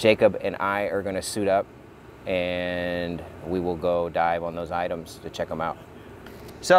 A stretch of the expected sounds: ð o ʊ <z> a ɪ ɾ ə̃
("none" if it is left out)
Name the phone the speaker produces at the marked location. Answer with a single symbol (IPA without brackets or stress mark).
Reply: z